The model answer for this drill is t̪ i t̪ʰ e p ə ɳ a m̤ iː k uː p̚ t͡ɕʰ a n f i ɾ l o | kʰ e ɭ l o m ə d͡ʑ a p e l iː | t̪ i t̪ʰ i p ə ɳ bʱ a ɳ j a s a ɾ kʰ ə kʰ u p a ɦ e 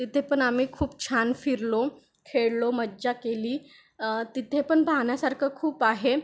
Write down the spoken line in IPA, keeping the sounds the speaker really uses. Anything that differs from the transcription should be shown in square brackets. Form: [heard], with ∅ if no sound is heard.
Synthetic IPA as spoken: t̪ i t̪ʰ e p ə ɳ a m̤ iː [kʰ] uː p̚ t͡ɕʰ a n f i ɾ l o | kʰ e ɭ l o m ə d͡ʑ a [k] e l iː | t̪ i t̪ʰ [e] p ə ɳ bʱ a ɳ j a s a ɾ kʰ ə kʰ [uː] p a ɦ e